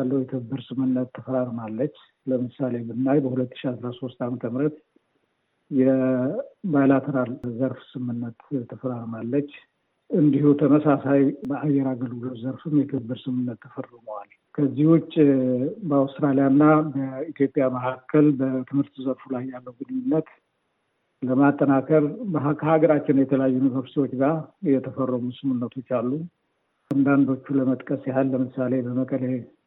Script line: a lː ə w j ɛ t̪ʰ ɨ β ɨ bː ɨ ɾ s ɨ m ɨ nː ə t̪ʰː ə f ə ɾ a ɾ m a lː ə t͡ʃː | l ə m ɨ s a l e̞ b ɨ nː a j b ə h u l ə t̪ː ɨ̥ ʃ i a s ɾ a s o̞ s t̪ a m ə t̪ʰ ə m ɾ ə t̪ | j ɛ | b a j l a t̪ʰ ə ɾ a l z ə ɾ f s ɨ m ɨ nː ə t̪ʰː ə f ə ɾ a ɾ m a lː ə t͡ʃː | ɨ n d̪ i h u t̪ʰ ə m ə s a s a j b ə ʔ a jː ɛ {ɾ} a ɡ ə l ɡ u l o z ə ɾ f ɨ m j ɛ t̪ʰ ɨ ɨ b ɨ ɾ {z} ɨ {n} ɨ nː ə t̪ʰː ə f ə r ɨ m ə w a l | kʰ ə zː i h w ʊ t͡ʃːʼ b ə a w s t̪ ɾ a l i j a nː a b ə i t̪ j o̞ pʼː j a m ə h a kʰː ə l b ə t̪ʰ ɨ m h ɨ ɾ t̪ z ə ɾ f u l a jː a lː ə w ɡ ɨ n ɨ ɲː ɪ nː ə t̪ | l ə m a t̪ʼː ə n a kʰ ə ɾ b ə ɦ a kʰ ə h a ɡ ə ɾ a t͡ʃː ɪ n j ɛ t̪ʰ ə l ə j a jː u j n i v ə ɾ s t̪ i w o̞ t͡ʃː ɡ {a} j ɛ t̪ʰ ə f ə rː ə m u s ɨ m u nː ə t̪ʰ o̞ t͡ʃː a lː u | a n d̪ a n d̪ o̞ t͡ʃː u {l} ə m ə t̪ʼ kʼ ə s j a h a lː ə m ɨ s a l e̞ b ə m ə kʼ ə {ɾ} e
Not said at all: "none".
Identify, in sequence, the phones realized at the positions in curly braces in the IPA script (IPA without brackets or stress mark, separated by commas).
ɾ, s, m, a, l, l